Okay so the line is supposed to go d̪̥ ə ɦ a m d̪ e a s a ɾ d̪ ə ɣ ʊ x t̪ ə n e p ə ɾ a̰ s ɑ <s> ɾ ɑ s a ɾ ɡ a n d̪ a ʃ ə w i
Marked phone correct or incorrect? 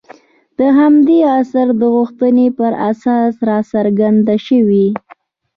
correct